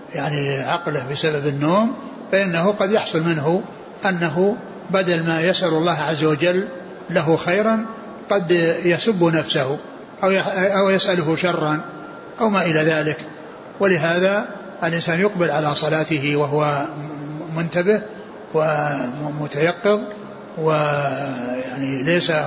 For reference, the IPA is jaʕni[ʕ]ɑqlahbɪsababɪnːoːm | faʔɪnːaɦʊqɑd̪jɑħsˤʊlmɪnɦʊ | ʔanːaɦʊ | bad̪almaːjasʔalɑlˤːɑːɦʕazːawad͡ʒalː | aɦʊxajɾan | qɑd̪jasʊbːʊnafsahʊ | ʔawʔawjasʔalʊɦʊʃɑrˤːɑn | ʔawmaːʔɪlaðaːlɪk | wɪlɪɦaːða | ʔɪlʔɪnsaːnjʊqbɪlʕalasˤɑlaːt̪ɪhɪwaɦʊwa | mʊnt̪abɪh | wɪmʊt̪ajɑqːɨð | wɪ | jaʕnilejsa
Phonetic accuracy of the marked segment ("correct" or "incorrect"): correct